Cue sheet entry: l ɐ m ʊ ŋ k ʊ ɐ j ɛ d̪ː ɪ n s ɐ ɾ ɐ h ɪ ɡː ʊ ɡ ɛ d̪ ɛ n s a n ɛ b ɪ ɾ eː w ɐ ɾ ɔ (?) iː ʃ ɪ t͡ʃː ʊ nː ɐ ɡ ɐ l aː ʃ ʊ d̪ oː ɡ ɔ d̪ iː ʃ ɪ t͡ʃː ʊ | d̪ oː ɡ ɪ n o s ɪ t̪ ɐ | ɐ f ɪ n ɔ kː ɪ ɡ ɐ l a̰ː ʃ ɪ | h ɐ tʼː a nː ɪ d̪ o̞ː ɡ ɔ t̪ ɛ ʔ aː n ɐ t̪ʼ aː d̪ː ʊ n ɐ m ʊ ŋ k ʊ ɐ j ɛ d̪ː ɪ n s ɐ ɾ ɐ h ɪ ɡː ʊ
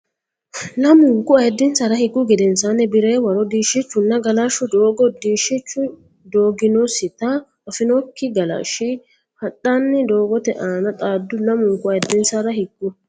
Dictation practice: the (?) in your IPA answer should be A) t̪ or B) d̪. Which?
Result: B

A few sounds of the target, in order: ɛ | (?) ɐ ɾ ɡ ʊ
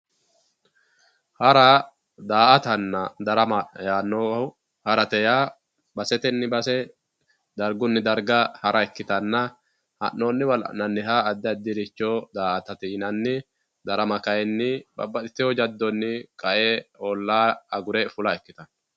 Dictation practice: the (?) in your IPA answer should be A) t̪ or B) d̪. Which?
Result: B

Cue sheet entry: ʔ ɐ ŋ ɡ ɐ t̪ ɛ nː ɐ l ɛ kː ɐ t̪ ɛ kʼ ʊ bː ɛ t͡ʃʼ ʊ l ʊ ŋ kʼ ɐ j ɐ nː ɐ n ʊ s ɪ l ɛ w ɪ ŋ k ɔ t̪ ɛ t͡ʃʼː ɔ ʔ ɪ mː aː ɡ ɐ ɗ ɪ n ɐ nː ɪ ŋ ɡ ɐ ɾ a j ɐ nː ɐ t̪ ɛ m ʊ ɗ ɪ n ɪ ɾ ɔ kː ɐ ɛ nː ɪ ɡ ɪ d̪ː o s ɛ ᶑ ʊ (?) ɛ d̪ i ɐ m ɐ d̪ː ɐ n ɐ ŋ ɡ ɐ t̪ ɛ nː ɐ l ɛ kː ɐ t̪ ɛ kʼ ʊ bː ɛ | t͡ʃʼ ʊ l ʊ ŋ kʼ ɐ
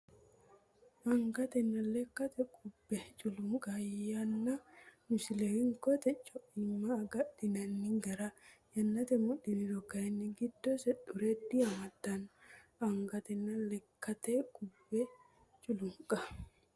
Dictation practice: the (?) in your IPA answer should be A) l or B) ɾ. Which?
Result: B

